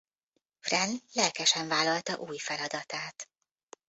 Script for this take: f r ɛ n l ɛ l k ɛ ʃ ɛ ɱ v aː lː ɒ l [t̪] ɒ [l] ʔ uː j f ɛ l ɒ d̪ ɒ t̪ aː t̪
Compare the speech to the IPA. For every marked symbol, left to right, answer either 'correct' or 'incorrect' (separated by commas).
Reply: correct, incorrect